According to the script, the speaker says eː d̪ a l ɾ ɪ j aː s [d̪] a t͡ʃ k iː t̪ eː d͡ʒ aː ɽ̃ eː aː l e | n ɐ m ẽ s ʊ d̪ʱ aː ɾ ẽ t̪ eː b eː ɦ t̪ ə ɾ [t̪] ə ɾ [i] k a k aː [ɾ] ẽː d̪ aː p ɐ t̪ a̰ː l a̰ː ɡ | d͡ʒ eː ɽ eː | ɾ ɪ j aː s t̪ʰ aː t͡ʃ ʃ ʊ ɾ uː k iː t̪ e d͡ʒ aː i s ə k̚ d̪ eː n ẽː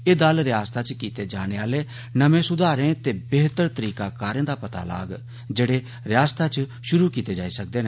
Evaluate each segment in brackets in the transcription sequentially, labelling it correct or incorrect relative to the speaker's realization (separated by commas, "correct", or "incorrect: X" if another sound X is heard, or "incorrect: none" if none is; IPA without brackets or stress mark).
incorrect: t̪, correct, incorrect: iː, correct